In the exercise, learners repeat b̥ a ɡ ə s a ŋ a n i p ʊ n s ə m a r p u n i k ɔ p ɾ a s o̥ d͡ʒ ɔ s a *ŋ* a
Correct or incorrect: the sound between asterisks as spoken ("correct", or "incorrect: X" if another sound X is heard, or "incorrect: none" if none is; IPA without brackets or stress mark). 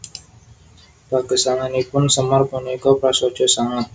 correct